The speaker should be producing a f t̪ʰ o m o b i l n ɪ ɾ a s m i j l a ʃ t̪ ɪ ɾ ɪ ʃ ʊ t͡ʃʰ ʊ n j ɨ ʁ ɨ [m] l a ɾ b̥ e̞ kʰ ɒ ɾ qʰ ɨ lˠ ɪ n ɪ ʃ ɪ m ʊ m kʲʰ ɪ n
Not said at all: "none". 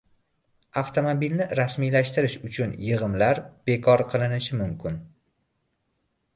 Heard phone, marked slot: m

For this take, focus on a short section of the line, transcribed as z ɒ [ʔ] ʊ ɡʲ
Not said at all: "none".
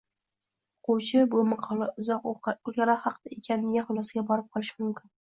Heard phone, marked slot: q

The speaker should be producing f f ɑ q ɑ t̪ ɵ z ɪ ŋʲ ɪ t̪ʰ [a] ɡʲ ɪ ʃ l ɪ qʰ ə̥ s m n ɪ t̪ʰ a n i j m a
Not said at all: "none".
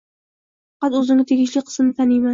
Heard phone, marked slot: e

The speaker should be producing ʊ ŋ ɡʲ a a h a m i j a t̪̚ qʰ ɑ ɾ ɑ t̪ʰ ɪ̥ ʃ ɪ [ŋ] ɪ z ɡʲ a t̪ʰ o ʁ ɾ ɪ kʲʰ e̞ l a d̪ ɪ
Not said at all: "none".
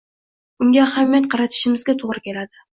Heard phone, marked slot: m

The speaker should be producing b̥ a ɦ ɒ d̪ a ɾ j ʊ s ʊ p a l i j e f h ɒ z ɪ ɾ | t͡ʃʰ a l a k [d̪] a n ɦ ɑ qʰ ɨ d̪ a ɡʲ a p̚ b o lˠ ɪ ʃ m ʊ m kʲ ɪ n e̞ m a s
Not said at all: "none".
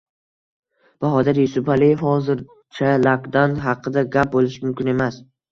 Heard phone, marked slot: d̪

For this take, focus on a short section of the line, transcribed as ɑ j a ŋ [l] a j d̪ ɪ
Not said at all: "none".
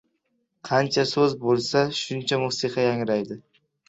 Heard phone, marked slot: ɾ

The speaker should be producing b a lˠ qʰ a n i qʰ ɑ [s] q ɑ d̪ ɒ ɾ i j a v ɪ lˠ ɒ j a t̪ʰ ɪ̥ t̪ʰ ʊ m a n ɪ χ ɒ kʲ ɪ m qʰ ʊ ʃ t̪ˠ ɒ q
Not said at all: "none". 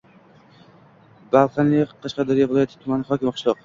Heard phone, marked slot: ʃ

